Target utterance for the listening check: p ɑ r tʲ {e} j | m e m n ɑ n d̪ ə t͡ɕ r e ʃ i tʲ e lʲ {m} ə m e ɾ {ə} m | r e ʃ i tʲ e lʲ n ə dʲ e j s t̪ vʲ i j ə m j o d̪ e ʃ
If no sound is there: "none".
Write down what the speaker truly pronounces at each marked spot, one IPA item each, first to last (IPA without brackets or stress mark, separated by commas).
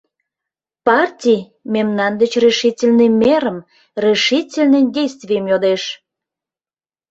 i, n, ə